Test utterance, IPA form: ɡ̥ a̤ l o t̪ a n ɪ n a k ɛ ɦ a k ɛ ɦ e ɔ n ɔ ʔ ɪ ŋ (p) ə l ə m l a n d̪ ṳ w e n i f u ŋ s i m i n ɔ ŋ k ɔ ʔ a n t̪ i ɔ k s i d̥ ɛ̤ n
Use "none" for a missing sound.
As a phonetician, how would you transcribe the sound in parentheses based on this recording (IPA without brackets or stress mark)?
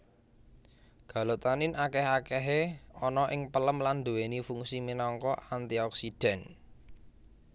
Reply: p